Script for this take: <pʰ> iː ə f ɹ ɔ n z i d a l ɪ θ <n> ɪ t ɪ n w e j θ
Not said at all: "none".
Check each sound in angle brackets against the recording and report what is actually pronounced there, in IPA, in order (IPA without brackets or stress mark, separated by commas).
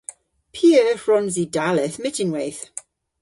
pʰ, m